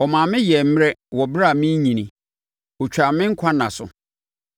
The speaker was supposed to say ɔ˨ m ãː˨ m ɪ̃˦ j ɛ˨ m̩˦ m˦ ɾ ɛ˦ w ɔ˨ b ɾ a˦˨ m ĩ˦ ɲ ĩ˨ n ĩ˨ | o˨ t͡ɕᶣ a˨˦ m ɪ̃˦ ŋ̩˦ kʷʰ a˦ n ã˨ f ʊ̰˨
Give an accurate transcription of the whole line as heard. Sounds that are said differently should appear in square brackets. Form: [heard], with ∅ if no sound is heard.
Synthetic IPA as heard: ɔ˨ m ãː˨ m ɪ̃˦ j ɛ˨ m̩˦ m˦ ɾ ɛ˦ w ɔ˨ b ɾ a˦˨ m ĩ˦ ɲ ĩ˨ n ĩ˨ | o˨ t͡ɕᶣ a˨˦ m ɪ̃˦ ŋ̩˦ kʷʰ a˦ n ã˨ [s] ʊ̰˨